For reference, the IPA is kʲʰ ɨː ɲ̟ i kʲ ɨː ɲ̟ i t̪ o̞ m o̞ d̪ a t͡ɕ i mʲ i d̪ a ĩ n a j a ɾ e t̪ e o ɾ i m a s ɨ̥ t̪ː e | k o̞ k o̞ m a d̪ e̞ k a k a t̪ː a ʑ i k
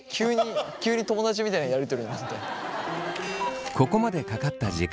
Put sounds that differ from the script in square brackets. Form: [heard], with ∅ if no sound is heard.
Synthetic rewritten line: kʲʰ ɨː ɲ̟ i kʲ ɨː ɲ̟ i t̪ o̞ m o̞ d̪ a t͡ɕ i mʲ i [t̪] a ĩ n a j a ɾ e t̪ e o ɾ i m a s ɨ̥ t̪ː e | k o̞ k o̞ m a d̪ e̞ k a k a t̪ː a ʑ i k